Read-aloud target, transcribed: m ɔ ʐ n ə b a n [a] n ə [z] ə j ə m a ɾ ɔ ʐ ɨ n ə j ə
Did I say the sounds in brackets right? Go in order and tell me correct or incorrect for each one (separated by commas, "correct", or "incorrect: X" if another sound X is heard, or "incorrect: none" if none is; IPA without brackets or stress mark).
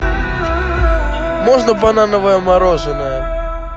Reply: correct, incorrect: v